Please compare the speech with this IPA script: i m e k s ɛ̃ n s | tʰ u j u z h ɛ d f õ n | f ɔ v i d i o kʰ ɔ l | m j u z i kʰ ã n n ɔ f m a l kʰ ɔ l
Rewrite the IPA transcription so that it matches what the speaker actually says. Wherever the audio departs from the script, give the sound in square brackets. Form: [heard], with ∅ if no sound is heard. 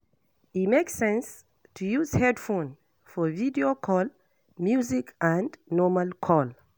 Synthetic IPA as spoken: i m e k s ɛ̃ n s | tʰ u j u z h ɛ d f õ n | f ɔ v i d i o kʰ ɔ l | m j u z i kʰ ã n n ɔ [∅] m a l kʰ ɔ l